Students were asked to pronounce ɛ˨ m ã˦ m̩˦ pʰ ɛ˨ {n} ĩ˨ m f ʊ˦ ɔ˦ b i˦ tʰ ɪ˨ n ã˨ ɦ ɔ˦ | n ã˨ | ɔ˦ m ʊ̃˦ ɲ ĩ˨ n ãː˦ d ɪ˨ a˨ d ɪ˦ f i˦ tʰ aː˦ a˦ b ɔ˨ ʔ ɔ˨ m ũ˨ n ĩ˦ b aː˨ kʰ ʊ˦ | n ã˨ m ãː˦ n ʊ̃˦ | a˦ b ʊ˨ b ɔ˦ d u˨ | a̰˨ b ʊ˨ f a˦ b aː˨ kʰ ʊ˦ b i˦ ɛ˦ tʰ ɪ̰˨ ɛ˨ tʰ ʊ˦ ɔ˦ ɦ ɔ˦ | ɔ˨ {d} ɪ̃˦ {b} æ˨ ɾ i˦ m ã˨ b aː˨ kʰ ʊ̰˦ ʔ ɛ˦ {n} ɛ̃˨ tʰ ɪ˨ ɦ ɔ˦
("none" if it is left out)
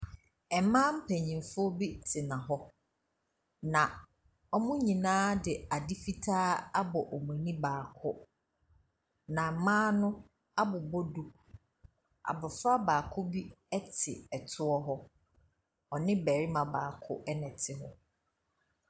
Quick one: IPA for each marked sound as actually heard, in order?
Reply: ɲ, n, b, n

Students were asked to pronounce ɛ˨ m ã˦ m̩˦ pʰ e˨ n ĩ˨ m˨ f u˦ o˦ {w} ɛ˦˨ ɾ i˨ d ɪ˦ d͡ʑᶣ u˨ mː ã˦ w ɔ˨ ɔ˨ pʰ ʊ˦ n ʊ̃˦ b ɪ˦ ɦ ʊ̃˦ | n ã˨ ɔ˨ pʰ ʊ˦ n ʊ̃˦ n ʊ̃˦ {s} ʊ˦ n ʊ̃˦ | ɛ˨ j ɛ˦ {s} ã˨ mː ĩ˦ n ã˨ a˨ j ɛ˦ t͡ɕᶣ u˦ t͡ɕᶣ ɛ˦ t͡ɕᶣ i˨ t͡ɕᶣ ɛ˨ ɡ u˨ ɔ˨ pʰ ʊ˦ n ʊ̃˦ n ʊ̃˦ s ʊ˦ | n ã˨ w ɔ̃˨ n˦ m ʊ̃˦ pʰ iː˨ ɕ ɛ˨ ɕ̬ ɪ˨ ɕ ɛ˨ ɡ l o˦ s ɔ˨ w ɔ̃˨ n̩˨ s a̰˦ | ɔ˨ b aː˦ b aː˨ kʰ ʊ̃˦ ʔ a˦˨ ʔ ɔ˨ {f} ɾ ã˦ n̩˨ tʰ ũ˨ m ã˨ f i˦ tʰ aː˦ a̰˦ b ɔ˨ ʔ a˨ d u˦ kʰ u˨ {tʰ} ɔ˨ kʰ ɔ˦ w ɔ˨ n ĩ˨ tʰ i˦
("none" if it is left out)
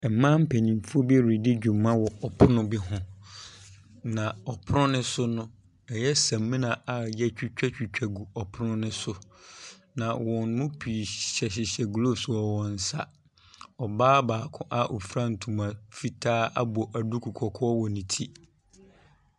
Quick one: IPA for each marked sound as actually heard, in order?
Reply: b, s, s, f, kʰ

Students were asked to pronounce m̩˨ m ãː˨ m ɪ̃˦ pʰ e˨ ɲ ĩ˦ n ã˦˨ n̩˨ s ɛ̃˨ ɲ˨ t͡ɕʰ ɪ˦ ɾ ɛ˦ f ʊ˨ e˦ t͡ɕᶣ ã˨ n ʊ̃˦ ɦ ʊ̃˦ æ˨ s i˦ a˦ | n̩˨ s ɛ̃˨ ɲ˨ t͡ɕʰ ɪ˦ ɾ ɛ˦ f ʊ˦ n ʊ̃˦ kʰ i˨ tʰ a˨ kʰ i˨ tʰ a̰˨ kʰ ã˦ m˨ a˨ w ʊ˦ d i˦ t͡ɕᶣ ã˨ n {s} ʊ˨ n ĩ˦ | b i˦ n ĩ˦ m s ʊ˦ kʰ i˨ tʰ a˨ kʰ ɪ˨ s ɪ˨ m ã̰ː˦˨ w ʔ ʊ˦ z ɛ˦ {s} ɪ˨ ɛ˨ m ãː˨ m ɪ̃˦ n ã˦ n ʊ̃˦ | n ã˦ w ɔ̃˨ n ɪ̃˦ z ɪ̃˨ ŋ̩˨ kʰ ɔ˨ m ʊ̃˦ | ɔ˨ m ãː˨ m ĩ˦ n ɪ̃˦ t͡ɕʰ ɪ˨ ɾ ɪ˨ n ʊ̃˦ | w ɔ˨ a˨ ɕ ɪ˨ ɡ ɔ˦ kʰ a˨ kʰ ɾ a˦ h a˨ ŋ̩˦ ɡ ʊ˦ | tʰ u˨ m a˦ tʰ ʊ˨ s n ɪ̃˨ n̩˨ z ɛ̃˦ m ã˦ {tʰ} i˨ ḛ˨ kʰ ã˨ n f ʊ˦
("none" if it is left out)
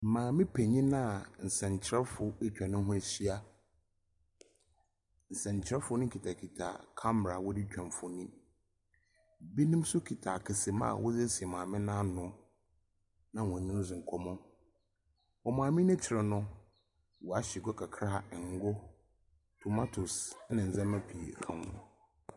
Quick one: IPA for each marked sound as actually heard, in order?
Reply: f, s, pʰ

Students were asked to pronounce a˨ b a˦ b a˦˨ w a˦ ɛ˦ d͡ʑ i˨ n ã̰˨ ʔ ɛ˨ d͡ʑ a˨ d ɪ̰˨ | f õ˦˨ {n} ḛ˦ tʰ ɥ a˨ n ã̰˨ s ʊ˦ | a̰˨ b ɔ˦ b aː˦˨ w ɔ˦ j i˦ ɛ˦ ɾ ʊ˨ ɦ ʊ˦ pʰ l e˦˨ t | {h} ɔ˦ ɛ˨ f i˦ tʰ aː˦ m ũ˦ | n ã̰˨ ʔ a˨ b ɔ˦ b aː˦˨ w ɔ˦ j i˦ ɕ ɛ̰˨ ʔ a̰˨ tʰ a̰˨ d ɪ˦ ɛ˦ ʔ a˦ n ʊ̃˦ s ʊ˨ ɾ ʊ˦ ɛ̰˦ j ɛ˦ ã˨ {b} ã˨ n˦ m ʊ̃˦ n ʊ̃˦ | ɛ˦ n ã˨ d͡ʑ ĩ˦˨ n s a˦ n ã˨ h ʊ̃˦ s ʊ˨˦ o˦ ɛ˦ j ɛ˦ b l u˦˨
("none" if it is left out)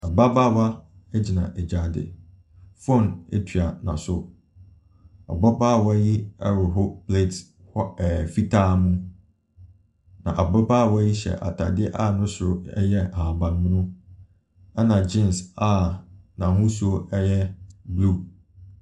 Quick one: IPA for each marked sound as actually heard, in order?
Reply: n, h, b

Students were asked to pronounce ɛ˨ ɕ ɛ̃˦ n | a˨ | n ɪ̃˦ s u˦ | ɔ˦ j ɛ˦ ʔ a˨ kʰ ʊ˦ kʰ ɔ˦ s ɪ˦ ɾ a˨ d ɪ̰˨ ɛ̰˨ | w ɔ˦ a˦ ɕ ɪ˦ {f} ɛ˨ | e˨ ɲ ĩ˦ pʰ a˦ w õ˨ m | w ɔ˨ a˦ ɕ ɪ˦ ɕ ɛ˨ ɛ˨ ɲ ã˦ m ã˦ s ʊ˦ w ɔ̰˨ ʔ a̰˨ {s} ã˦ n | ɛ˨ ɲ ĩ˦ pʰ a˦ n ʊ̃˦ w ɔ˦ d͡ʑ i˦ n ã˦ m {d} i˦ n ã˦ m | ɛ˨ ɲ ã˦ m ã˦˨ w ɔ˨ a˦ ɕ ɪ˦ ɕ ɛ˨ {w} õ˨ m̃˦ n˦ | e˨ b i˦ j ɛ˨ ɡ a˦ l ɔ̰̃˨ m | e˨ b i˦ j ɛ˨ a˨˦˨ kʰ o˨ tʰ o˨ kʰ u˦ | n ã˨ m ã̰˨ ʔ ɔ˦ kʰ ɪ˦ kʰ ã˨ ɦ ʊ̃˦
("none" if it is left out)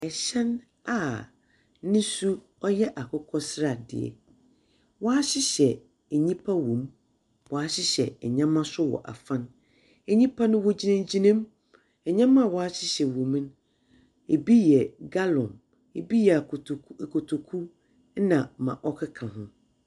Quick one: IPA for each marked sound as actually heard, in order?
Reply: ɕ, f, d͡ʑ, w

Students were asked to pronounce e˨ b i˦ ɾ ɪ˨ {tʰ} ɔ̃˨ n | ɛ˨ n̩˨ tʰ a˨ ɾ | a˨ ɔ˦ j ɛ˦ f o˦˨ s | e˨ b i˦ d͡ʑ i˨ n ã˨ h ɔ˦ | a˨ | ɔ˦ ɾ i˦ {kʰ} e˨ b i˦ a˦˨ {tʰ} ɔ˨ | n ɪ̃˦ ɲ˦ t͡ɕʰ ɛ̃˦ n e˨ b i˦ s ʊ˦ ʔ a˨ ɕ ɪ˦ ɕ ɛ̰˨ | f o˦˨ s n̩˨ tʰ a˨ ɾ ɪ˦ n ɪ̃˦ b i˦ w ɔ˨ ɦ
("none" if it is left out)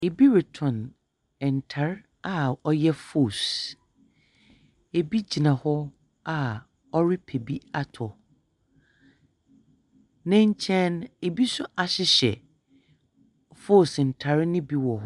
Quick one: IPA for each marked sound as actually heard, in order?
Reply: tʰ, pʰ, tʰ

